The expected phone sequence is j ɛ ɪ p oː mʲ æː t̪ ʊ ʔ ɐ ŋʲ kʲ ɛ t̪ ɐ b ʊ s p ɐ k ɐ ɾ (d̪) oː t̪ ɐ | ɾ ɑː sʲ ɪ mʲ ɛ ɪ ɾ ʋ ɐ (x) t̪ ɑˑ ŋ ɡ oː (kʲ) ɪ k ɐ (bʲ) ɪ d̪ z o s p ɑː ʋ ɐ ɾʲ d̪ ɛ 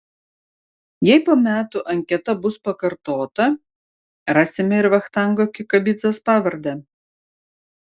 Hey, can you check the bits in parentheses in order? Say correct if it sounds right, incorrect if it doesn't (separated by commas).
incorrect, correct, correct, correct